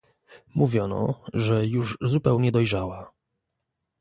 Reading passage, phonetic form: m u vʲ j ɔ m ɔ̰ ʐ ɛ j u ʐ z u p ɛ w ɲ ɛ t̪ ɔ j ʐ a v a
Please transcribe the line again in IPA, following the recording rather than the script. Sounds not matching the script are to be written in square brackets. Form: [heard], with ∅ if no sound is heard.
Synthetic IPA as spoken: m u vʲ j ɔ [n] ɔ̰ ʐ ɛ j u ʐ z u p ɛ w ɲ ɛ [d̪] ɔ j ʐ a [w] a

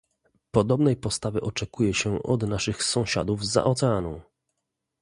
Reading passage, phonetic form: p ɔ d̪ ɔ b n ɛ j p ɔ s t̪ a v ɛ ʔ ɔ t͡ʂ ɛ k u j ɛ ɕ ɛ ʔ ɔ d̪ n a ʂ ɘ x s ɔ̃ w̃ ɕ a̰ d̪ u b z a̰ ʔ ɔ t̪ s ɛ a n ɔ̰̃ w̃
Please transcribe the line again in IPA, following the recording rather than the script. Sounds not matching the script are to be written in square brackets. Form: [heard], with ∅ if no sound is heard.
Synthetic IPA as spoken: p ɔ d̪ ɔ b n ɛ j p ɔ s t̪ a v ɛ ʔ ɔ t͡ʂ ɛ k u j ɛ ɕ ɛ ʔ ɔ d̪ n a ʂ ɘ x s ɔ̃ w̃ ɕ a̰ d̪ u [v] z a̰ ʔ ɔ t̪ s ɛ a n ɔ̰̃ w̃

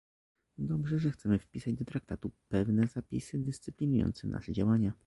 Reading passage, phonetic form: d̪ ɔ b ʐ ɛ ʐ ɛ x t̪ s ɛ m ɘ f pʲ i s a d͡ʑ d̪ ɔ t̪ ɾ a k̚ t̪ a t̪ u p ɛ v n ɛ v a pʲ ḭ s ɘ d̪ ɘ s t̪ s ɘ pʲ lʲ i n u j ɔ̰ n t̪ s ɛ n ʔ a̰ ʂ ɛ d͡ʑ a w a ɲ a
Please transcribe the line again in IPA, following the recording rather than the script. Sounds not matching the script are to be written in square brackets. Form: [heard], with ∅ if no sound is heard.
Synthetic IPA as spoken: d̪ ɔ b ʐ ɛ ʐ ɛ x t̪ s ɛ m ɘ f pʲ i s a d͡ʑ d̪ ɔ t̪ ɾ a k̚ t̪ a t̪ u p ɛ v n ɛ [z] a pʲ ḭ s ɘ d̪ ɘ s t̪ s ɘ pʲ lʲ i n u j ɔ̰ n t̪ s ɛ n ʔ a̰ ʂ ɛ d͡ʑ a w a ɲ a

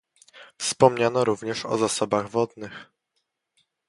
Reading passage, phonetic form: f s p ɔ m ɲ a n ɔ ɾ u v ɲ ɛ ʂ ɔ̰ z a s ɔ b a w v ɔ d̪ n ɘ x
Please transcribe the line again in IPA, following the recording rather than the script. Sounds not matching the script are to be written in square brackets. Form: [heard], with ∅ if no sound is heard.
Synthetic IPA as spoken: f s p ɔ m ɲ a n ɔ ɾ u v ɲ ɛ ʂ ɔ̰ z a s ɔ b a [ɣ] v ɔ d̪ n ɘ x

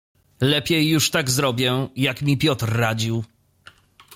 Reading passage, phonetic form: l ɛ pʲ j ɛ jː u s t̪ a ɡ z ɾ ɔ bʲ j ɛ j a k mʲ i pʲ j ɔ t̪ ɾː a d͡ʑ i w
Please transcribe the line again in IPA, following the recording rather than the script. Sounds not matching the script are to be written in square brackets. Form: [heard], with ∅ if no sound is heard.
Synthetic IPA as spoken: l ɛ pʲ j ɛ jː u [ʂ] t̪ a ɡ z ɾ ɔ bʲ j ɛ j a k mʲ i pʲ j ɔ t̪ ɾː a d͡ʑ i w

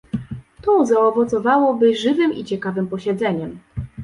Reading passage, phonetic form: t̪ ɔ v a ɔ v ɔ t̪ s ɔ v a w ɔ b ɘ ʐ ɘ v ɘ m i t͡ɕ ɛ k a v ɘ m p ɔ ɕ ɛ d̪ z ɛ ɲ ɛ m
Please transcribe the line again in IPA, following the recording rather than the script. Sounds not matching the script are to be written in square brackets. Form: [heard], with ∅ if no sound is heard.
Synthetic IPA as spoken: t̪ ɔ [z] a ɔ v ɔ t̪ s ɔ v a w ɔ b ɘ ʐ ɘ v ɘ m i t͡ɕ ɛ k a v ɘ m p ɔ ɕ ɛ d̪ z ɛ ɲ ɛ m

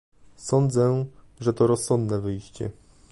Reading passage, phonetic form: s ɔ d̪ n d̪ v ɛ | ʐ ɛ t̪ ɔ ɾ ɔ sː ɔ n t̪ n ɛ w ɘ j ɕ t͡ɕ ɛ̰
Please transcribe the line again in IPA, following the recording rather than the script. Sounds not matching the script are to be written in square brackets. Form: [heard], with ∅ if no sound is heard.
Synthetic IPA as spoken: s ɔ [∅] n d̪ [z] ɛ | ʐ ɛ t̪ ɔ ɾ ɔ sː ɔ n [d̪] n ɛ [v] ɘ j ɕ t͡ɕ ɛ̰

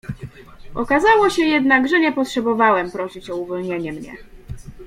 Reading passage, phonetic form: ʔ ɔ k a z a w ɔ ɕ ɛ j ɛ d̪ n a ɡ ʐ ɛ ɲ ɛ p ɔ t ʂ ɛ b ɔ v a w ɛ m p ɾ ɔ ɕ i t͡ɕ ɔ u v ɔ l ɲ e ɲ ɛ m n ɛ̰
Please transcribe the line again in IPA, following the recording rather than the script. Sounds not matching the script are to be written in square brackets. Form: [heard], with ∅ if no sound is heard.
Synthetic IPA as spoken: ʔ ɔ k a z a w ɔ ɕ ɛ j ɛ d̪ n a ɡ ʐ ɛ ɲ ɛ p ɔ t ʂ ɛ b ɔ v a w ɛ m p ɾ ɔ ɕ i t͡ɕ ɔ u v ɔ l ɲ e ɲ ɛ m [ɲ] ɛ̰

